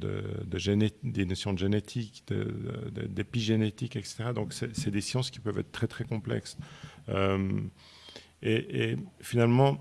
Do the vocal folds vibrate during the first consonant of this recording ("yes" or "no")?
yes